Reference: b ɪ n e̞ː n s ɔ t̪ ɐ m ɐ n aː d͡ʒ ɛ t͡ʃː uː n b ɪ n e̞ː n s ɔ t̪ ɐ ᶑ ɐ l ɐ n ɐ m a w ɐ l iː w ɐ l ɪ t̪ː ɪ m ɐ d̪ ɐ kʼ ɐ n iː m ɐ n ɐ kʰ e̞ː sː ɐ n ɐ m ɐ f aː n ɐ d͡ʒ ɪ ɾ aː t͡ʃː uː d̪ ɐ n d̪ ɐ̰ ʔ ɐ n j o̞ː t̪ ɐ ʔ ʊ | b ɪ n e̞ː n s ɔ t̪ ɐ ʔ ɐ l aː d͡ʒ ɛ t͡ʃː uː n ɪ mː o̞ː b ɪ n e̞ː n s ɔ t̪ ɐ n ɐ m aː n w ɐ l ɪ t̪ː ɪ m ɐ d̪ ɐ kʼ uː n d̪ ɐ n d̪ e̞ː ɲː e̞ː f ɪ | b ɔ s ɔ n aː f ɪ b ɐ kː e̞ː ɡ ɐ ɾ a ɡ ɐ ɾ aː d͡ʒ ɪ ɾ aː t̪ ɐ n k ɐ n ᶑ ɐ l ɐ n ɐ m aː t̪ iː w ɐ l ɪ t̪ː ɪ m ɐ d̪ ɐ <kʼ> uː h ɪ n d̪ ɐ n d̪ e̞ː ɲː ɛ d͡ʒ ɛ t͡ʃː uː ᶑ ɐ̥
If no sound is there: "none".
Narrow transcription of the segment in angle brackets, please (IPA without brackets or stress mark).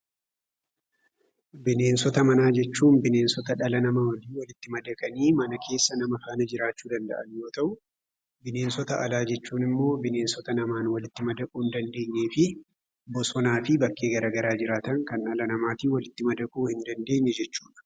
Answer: kʼ